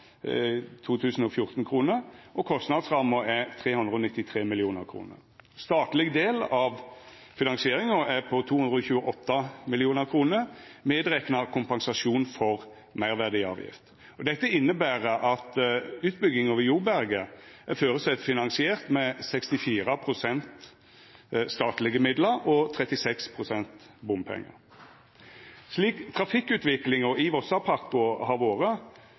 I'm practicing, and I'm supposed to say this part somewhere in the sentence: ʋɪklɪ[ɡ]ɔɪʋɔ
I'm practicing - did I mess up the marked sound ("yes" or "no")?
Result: yes